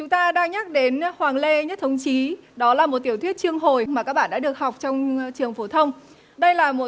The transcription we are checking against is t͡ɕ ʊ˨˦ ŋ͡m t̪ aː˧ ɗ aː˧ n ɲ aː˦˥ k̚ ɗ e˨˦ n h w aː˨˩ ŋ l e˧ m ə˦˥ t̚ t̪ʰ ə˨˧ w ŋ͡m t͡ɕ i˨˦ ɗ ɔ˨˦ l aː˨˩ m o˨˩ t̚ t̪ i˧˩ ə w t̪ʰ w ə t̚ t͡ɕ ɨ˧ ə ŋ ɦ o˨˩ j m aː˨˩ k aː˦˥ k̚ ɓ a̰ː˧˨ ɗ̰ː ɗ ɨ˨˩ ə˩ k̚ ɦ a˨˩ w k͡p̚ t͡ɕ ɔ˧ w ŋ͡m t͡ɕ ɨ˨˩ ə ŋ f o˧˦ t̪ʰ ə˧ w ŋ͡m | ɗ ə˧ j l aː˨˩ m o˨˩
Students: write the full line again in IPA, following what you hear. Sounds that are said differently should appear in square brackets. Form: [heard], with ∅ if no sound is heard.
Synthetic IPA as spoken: t͡ɕ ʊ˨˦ ŋ͡m t̪ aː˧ ɗ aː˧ [ŋ] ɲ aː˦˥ k̚ ɗ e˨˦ n h w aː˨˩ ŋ l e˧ [ɲ] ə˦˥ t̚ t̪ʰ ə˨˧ w ŋ͡m t͡ɕ i˨˦ ɗ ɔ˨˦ l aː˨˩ m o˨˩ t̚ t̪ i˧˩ ə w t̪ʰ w ə t̚ t͡ɕ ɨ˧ ə ŋ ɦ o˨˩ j m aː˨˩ k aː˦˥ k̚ ɓ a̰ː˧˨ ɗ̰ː ɗ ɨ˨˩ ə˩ k̚ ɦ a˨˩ w k͡p̚ t͡ɕ ɔ˧ w ŋ͡m t͡ɕ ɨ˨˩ ə ŋ f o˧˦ t̪ʰ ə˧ w ŋ͡m | ɗ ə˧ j l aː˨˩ m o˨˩